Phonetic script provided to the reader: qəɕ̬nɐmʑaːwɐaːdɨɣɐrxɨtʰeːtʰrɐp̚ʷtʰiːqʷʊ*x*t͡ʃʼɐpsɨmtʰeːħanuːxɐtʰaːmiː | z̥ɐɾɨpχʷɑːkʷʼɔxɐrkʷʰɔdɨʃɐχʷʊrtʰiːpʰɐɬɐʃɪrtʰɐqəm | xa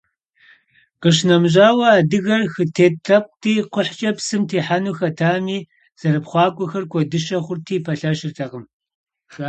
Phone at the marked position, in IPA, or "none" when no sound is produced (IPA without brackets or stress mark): ħ